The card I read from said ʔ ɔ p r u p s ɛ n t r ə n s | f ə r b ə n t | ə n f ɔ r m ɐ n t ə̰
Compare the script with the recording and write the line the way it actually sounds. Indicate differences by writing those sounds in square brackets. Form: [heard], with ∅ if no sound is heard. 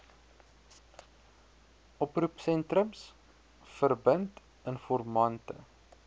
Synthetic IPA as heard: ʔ ɔ p r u p s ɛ n t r ə [m] s | f ə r b ə n t | ə n f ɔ r m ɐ n t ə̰